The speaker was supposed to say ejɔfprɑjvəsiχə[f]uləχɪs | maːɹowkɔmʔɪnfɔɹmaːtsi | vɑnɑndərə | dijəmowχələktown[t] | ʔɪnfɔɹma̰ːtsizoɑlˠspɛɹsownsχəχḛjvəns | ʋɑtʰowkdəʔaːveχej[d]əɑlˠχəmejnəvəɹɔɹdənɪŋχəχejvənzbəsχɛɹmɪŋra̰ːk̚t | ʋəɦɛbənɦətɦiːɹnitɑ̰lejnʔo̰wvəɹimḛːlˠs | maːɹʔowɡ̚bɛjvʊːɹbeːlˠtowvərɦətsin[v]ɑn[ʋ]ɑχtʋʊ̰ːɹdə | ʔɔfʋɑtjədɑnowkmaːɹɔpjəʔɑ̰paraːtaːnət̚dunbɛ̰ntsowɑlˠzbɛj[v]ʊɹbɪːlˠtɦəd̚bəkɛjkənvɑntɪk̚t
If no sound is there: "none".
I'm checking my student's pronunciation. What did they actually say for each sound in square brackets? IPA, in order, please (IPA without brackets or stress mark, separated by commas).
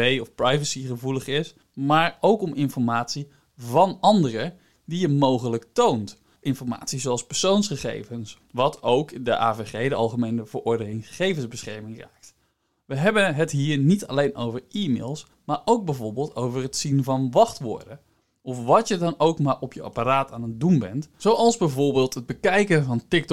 v, t, d, v, ʋ, v